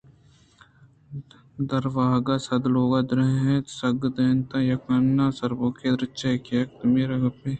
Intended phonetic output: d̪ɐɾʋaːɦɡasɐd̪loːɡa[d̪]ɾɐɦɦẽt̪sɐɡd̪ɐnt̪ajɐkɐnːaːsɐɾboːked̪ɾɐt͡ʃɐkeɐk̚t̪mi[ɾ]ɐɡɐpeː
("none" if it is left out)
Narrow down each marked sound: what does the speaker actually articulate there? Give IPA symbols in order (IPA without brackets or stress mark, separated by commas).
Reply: d̪, ɾ